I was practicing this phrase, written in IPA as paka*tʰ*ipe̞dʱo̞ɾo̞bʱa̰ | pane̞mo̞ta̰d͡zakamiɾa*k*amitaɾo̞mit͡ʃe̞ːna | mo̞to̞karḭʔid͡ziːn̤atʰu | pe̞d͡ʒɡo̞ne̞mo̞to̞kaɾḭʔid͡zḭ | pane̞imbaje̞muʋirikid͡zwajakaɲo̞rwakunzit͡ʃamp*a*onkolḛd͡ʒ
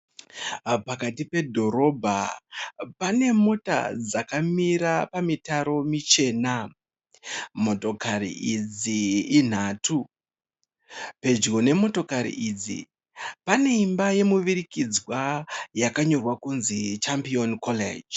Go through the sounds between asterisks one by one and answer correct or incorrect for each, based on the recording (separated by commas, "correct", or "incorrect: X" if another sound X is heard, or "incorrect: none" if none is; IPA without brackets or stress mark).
incorrect: t, incorrect: p, incorrect: i